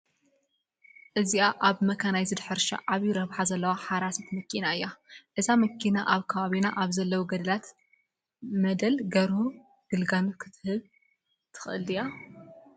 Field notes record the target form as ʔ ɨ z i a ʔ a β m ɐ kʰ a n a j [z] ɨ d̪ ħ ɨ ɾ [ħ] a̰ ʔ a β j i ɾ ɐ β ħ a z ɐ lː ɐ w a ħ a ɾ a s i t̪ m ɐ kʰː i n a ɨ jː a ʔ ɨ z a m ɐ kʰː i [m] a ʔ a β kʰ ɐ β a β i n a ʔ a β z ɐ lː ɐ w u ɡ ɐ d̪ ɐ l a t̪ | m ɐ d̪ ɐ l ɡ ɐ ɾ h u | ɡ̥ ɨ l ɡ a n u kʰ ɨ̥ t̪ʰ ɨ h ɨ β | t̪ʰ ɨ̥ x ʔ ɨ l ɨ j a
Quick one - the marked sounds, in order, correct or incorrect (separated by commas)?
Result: correct, incorrect, incorrect